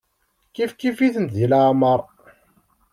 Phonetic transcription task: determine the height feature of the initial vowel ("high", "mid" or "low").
high